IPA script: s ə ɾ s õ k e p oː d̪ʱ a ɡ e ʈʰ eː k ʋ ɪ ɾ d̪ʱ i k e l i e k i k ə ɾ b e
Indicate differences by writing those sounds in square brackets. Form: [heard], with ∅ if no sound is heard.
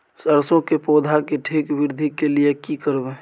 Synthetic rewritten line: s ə ɾ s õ k e p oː d̪ʱ a [k] e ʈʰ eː k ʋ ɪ ɾ d̪ʱ i k e l i e k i k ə ɾ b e